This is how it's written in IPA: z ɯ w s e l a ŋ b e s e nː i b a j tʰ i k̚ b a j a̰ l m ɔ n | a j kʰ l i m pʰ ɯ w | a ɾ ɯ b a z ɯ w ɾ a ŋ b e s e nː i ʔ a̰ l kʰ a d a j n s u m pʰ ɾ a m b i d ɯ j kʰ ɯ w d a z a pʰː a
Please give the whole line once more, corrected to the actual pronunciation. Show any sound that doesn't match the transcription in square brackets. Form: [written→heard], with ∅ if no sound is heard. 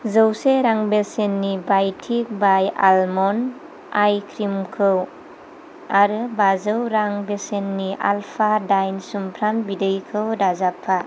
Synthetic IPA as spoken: z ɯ w s e [l→ɾ] a ŋ b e s e nː i b a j tʰ i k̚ b a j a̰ l m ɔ n | a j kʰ [l→ɾ] i m [pʰ→kʰ] ɯ w | a ɾ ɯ b a z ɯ w ɾ a ŋ b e s e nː i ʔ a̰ l [kʰ→pʰ] a d a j n s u m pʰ ɾ a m b i d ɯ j kʰ ɯ w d a z a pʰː a

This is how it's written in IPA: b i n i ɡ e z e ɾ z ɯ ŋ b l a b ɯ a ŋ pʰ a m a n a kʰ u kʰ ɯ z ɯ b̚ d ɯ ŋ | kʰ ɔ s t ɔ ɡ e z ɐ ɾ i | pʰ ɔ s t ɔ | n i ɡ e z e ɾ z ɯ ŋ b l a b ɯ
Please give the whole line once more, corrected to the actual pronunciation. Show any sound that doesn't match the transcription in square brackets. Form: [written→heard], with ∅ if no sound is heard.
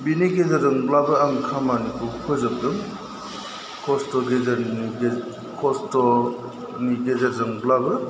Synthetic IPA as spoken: b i n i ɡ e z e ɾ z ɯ ŋ b l a b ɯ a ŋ [pʰ→kʰ] a m a n [a→i] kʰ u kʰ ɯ z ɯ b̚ d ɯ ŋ | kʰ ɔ s t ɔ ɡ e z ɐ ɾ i | [pʰ→kʰ] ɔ s t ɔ | n i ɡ e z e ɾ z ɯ ŋ b l a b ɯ

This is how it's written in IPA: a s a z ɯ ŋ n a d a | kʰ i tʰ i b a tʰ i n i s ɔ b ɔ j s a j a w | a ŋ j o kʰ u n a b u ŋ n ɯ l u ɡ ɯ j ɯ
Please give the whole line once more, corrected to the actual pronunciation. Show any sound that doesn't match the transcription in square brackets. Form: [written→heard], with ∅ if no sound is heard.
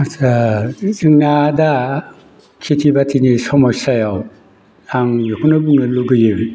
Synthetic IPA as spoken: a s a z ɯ ŋ n a d a | kʰ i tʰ i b a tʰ i n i s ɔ [b→m] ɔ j s a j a w | a ŋ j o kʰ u n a b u ŋ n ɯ l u ɡ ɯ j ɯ

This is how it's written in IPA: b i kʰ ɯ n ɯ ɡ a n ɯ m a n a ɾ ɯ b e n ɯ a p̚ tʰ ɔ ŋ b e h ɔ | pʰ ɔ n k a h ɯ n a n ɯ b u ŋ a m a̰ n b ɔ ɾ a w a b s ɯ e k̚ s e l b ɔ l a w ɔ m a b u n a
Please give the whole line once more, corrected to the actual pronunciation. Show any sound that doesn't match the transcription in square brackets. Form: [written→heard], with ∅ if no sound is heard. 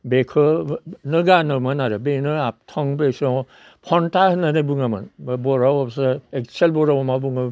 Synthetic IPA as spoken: b [i→e] kʰ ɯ n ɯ ɡ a n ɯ m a n a ɾ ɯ b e n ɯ a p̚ tʰ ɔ ŋ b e [h→s] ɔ | pʰ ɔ n [k→t] a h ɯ n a n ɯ b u ŋ a m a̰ n b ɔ ɾ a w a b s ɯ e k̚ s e l b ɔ [l→ɾ] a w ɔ m a b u [n→ŋ] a

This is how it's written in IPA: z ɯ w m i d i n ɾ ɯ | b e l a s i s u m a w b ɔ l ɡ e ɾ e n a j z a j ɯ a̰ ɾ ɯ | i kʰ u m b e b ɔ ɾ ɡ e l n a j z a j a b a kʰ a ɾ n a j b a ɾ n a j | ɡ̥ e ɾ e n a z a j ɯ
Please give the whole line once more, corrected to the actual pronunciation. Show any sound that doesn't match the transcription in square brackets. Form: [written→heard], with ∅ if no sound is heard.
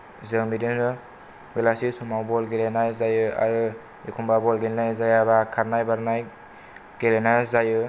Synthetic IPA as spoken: z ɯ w m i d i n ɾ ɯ | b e l a s i s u m a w b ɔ l ɡ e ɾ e n a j z a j ɯ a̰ ɾ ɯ | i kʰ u m b [e→a] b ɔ [ɾ→l] ɡ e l n a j z a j a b a kʰ a ɾ n a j b a ɾ n a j | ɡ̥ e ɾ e n a z a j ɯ

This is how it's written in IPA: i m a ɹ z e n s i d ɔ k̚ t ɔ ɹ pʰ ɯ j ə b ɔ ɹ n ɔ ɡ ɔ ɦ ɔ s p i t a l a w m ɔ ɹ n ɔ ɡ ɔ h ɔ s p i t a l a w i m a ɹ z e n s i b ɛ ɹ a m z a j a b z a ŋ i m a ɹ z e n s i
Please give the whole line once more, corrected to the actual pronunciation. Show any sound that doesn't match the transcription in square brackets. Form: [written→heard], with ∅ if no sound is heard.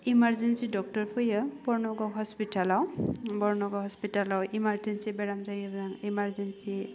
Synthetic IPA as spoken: i m a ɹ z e n s i d ɔ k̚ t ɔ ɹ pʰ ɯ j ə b ɔ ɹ n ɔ ɡ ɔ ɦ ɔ s p i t a l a w [m→b] ɔ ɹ n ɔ ɡ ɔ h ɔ s p i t a l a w i m a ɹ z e n s i b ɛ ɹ a m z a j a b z a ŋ i m a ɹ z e n s i

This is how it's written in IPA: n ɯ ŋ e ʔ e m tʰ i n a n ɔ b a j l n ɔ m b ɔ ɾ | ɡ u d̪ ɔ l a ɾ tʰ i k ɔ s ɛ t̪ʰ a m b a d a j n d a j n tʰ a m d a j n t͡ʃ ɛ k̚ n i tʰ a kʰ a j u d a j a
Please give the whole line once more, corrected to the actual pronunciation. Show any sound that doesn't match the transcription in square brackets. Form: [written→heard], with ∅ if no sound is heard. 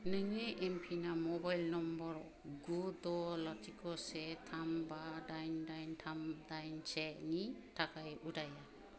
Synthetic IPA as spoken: n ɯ ŋ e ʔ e m [tʰ→pʰ] i n a [n→m] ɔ b a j l n ɔ m b ɔ ɾ | ɡ u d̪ ɔ l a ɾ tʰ i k ɔ s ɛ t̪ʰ a m b a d a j n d a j n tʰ a m d a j n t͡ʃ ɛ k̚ n i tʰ a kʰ a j u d a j a

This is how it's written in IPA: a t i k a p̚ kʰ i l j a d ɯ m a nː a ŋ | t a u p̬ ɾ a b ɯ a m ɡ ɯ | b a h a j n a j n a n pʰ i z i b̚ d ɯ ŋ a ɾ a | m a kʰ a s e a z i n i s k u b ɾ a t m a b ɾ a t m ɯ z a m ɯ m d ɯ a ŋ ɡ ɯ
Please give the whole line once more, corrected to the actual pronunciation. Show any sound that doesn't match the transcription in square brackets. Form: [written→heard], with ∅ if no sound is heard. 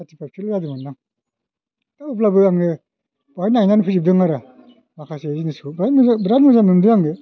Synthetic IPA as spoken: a t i [k→p] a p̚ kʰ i l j a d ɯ m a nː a ŋ | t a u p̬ [ɾ→l] a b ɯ a [m→ŋ] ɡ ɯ | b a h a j n a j n a n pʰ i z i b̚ d ɯ ŋ a ɾ a | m a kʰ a s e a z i n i s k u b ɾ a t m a b ɾ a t m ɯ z a m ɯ m d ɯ a ŋ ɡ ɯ

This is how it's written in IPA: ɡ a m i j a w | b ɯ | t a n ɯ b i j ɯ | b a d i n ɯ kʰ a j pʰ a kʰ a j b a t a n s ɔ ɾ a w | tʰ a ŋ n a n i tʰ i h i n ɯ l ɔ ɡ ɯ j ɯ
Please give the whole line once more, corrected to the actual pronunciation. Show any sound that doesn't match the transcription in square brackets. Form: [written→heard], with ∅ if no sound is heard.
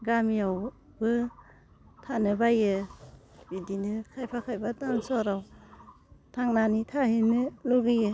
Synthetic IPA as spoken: ɡ a m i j a w | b ɯ | [t→tʰ] a n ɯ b [i→a] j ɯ | b [a→i] d i n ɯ kʰ a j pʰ a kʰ a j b a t a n s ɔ ɾ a w | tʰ a ŋ n a n i tʰ [i→a] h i n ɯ l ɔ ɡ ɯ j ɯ

